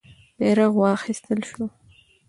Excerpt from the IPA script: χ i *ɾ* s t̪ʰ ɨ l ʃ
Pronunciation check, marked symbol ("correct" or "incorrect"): incorrect